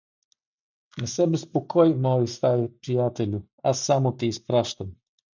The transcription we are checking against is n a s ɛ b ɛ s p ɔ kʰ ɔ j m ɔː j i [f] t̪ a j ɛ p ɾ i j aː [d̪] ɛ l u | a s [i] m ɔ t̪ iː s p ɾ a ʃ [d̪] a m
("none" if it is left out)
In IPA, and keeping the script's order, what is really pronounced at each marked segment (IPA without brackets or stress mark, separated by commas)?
s, t̪, a, t̪